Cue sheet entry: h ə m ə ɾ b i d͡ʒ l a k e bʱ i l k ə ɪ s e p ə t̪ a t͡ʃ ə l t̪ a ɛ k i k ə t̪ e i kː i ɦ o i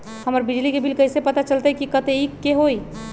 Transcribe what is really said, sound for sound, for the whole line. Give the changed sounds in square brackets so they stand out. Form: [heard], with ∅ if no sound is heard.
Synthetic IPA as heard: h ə m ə ɾ b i d͡ʒ l [i] k e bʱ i l k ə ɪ s e p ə t̪ a t͡ʃ ə l t̪ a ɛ k i k ə t̪ e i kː [e] ɦ o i